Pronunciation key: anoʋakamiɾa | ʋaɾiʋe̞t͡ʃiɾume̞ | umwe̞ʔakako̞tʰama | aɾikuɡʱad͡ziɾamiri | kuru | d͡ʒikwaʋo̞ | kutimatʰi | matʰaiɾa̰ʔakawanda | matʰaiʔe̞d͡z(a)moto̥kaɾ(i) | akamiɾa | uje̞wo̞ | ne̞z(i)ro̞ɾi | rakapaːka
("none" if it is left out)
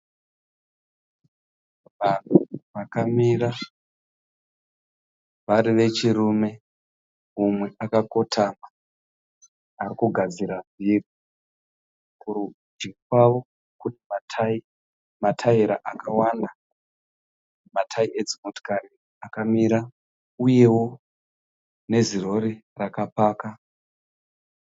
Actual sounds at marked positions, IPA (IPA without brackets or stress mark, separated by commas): i, i, i